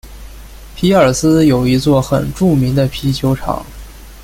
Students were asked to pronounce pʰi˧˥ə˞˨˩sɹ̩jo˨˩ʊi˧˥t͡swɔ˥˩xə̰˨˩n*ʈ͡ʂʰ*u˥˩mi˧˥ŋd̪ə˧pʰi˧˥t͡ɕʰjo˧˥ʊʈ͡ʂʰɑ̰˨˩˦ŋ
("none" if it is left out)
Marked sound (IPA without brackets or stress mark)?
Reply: ʈ͡ʂ